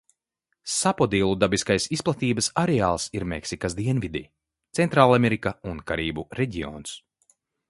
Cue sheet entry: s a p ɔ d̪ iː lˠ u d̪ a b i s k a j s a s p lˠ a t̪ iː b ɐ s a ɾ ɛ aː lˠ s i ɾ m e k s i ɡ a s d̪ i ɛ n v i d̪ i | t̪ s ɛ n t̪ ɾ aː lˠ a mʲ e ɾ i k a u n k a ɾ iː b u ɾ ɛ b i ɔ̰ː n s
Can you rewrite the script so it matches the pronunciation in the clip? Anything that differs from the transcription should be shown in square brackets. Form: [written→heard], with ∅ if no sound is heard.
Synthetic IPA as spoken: s a p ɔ d̪ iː lˠ u d̪ a b i s k a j s [a→i] s p lˠ a t̪ iː b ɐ s a ɾ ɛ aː lˠ s i ɾ m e k s i [ɡ→k] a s d̪ i ɛ n v i d̪ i | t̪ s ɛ n t̪ ɾ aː lˠ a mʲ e ɾ i k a u n k a ɾ iː b u ɾ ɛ [b→ɟ] i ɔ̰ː n s

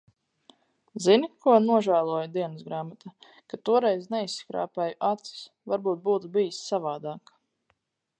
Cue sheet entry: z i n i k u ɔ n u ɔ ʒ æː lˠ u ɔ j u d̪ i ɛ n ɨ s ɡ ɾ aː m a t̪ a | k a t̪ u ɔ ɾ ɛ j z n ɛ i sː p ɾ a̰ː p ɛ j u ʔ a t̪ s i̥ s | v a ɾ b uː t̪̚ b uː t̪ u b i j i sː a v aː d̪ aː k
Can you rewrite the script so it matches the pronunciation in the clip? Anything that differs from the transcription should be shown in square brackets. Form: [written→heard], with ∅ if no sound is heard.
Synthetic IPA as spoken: z i n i k u ɔ n u ɔ ʒ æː lˠ u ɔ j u d̪ i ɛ n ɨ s ɡ ɾ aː m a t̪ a | k a t̪ u ɔ ɾ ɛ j z n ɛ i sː [p→k] ɾ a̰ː p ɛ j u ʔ a t̪ s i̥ s | v a ɾ b uː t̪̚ b uː t̪ u b i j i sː a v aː d̪ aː k

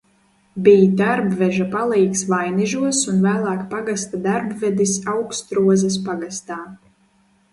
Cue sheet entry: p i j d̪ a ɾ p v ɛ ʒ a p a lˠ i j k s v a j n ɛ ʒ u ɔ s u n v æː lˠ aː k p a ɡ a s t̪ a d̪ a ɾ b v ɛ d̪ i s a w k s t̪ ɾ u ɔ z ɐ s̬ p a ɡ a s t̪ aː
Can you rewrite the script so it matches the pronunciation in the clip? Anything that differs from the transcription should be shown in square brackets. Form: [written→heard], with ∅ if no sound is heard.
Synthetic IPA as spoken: [p→b] i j d̪ a ɾ [p→b] v ɛ ʒ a p a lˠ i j k s v a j n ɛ ʒ u ɔ s u n v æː lˠ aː k p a ɡ a s t̪ a d̪ a ɾ b v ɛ d̪ i s a w k s t̪ ɾ u ɔ z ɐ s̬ p a ɡ a s t̪ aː

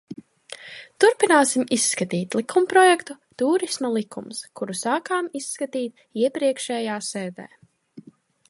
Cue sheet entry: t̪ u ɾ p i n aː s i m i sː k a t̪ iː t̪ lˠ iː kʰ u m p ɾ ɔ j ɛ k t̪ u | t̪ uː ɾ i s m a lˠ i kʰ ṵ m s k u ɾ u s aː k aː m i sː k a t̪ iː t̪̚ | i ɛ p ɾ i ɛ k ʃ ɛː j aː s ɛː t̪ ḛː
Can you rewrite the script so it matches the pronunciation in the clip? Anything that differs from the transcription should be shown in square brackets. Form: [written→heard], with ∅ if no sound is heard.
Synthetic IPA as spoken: t̪ u ɾ p i n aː s i m i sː k a t̪ iː t̪ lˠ [iː→i] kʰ u m p ɾ ɔ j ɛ k t̪ u | t̪ uː ɾ i s m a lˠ i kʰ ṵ m s k u ɾ u s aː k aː m i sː k a t̪ iː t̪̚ | i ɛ p ɾ i ɛ k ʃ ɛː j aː s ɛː [t̪→d̪] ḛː

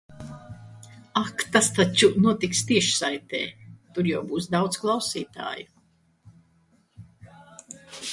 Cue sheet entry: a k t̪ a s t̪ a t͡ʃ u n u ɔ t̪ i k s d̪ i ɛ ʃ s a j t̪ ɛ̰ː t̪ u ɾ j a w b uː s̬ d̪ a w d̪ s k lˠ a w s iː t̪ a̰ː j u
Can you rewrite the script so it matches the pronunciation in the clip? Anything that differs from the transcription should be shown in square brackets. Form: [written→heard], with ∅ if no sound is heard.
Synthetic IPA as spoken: a k t̪ a s t̪ a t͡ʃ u n u ɔ t̪ i k s [d̪→t̪] i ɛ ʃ s a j t̪ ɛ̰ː t̪ u ɾ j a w b uː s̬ d̪ a w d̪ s k lˠ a w s iː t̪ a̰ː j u

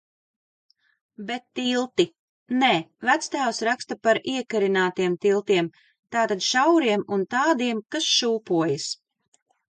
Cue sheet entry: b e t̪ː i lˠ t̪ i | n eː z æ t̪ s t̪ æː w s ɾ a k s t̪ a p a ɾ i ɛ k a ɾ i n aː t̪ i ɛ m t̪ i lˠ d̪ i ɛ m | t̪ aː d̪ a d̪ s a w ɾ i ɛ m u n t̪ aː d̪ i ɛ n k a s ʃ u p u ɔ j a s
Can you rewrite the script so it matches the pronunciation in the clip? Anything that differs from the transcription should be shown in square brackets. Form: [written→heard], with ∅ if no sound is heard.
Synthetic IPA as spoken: b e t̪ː i lˠ t̪ i | n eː [z→v] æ t̪ s t̪ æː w s ɾ a k s t̪ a p a ɾ i ɛ k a ɾ i n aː t̪ i ɛ m t̪ i lˠ [d̪→t̪] i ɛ m | t̪ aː [d̪→t̪] a d̪ [s→ʃ] a w ɾ i ɛ m u n t̪ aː d̪ i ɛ [n→m] k a s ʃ [u→uː] p u ɔ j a s

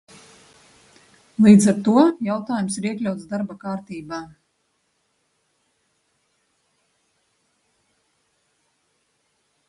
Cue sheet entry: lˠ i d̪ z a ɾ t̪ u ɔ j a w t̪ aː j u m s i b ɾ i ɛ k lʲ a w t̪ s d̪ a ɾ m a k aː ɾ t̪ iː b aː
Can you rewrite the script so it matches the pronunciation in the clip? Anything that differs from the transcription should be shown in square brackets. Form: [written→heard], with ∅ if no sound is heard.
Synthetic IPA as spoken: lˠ [i→iː] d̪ z a ɾ t̪ u ɔ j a w t̪ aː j u m s i [b→∅] ɾ i ɛ k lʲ a w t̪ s d̪ a ɾ [m→b] a k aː ɾ t̪ iː b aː

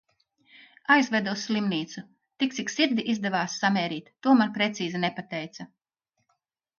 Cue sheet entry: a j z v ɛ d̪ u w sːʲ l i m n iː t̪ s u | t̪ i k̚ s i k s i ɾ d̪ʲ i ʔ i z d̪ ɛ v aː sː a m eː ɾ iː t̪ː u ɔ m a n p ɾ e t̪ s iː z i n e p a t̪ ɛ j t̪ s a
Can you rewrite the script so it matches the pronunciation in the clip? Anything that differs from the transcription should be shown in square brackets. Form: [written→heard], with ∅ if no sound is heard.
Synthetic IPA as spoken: a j z v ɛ d̪ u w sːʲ l i m n iː t̪ s u | t̪ i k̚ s i k s i ɾ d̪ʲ i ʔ i z d̪ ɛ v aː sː a m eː ɾ iː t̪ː u ɔ m a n p ɾ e t̪ s iː z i n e p a t̪ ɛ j t̪ s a

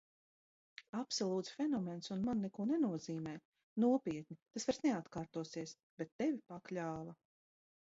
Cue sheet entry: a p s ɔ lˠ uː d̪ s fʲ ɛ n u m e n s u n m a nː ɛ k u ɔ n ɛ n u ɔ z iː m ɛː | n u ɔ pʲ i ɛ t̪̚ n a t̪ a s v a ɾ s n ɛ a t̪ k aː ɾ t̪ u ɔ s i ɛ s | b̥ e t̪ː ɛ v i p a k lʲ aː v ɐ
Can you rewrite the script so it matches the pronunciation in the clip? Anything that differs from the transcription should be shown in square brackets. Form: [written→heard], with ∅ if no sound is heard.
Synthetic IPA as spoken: a p s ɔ lˠ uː [d̪→t̪] s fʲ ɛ n [u→ɔ] m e n s u n m a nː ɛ k u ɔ n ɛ n u ɔ z iː m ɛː | n u ɔ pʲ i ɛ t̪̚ n [a→i] t̪ a s v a ɾ s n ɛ a t̪ k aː ɾ t̪ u ɔ s i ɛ s | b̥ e t̪ː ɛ v i p a k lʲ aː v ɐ

